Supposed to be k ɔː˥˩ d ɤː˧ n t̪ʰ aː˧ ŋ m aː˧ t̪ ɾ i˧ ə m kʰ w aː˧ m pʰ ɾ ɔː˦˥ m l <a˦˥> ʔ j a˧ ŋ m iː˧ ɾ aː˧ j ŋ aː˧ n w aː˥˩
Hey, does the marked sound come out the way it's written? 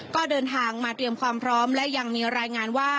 no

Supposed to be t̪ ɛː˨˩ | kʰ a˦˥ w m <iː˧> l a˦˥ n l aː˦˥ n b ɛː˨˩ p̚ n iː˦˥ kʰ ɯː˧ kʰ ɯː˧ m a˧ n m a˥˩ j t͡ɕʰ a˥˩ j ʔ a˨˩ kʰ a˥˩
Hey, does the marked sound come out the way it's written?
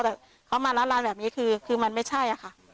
no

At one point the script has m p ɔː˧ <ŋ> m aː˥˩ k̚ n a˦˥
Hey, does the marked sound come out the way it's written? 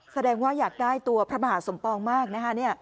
yes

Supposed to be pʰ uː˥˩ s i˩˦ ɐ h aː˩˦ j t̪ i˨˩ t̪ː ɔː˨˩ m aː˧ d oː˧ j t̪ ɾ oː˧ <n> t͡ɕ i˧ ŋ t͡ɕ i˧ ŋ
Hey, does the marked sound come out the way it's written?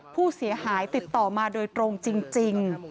no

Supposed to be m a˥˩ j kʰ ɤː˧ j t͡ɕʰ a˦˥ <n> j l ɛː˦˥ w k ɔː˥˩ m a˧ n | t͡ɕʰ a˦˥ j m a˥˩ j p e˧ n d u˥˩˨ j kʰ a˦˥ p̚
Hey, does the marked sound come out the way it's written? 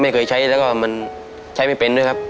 no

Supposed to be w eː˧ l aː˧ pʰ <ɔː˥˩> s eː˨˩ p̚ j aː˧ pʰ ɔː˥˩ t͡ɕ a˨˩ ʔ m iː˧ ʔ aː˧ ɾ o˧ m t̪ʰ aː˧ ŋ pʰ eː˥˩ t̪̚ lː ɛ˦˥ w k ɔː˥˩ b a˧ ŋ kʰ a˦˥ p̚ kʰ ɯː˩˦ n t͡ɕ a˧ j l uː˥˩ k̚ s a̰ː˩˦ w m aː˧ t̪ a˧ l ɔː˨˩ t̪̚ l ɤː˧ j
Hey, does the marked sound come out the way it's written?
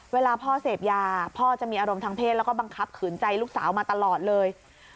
yes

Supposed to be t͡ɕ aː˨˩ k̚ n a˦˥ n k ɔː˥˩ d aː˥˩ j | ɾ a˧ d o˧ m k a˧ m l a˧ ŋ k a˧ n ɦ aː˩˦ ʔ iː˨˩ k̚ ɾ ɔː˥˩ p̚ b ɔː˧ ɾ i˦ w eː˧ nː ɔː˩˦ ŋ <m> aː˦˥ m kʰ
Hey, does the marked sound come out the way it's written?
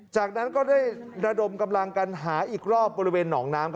no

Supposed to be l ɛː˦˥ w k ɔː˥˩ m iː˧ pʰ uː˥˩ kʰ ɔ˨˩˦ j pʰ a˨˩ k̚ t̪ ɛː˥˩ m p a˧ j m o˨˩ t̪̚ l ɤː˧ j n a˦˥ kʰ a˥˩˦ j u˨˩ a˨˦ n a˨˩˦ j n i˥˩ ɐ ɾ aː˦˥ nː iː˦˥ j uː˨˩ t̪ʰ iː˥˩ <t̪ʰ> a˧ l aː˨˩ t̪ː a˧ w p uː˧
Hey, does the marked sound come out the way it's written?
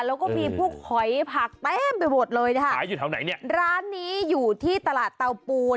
no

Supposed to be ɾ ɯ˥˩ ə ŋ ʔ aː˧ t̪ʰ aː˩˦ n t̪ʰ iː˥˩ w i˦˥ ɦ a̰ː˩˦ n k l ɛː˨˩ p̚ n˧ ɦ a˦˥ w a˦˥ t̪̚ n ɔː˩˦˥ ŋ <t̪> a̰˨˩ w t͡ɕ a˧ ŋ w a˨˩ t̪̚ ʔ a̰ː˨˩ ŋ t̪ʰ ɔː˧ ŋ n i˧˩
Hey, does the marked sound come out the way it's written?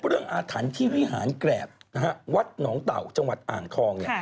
yes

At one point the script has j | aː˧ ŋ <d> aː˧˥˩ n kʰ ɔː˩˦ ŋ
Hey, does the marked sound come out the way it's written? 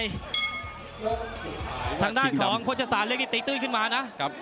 yes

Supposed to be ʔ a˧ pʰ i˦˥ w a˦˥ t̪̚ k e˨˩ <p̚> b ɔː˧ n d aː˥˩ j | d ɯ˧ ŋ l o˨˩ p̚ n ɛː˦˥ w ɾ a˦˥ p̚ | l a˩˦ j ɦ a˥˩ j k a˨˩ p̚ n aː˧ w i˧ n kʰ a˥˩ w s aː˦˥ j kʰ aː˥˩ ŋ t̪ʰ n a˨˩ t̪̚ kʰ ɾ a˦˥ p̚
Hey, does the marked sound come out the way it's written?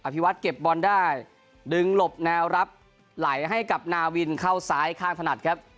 yes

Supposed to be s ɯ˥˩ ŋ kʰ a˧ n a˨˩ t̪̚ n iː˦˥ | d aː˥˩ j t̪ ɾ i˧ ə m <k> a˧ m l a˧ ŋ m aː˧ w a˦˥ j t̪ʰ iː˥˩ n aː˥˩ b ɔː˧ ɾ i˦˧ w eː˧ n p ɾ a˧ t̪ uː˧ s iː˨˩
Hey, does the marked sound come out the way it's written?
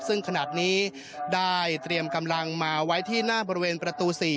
yes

